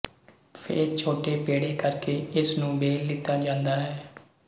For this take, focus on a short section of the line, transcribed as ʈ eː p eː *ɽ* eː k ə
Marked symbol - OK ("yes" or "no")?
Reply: yes